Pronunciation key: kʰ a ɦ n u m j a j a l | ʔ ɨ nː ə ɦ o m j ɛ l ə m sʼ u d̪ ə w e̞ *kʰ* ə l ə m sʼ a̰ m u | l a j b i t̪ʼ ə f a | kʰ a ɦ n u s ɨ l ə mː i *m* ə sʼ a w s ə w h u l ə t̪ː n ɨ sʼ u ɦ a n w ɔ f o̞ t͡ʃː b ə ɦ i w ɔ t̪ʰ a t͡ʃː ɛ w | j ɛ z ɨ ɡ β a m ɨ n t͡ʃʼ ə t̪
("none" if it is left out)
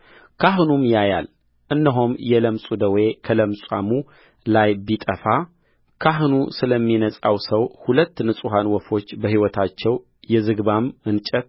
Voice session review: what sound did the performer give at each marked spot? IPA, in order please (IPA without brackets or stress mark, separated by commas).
kʰ, n